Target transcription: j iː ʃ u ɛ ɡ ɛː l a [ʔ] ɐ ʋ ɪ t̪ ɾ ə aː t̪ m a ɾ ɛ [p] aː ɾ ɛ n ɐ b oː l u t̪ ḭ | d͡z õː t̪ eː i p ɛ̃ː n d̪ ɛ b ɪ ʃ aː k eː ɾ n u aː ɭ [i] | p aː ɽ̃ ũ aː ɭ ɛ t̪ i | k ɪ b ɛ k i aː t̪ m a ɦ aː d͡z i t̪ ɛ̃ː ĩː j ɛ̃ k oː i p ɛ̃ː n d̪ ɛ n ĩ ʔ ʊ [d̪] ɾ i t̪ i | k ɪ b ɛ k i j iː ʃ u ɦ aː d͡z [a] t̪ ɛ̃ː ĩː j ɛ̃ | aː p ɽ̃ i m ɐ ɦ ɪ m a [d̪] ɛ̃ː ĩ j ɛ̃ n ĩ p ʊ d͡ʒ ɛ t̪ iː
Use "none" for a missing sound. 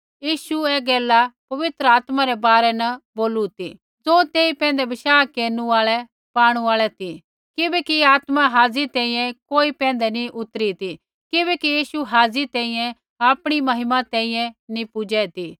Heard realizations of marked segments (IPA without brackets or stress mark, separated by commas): p, b, ɛ, t̪, i, t̪